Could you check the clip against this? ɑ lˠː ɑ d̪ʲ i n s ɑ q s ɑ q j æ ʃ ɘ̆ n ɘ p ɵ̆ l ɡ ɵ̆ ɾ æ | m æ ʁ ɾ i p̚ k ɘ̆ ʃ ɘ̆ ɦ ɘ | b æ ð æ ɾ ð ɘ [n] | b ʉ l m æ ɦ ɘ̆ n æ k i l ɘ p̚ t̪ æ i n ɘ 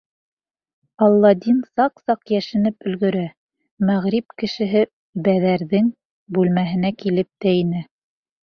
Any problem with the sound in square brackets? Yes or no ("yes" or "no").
yes